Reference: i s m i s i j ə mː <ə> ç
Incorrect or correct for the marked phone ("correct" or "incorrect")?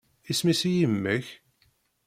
correct